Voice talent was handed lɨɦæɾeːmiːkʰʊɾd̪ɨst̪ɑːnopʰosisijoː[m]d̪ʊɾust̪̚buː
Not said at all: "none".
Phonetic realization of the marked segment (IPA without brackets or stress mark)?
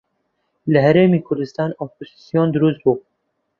n